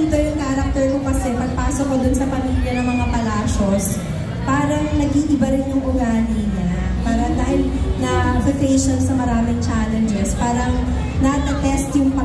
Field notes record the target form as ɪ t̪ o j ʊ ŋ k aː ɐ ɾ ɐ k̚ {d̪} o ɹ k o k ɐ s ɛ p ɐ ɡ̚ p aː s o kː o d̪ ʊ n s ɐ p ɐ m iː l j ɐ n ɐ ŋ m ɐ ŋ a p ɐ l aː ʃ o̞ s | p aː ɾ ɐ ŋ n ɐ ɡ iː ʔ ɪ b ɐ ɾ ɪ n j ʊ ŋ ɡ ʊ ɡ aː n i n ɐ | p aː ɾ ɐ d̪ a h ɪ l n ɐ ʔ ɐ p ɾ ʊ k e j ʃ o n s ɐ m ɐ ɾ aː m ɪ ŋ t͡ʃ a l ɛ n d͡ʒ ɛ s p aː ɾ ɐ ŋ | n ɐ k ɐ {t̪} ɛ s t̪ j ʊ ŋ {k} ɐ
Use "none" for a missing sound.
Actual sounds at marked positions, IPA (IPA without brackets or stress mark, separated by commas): t̪, t̪, p